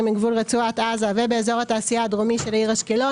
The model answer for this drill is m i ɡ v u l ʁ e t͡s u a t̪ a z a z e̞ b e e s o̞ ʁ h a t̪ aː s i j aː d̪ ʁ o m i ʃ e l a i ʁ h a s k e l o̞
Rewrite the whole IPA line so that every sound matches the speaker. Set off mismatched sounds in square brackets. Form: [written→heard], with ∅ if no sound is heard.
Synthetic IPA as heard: m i ɡ v u l ʁ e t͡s u a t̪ a z a [z→v] e̞ b e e [s→z] o̞ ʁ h a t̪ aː s i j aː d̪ ʁ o m i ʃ e l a i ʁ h a [s→ʃ] k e l o̞